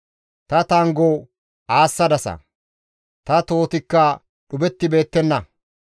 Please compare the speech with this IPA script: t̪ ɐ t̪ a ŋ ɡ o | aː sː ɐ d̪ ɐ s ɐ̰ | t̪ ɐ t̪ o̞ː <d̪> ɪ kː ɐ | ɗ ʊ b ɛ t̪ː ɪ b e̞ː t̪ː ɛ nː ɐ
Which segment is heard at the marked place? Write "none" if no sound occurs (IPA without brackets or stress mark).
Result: t̪